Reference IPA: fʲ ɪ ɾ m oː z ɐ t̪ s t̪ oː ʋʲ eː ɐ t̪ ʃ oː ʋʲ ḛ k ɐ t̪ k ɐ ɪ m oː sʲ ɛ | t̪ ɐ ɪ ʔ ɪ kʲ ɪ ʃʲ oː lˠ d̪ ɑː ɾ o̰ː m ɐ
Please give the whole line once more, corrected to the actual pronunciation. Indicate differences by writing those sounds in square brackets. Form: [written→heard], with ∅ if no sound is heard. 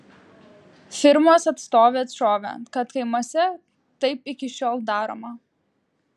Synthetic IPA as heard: fʲ ɪ ɾ m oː [z→s] ɐ t̪ s t̪ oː ʋʲ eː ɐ t̪ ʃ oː ʋʲ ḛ k ɐ t̪ k ɐ ɪ m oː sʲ ɛ | t̪ ɐ ɪ [ʔ→p] ɪ kʲ ɪ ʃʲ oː lˠ d̪ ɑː ɾ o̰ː m ɐ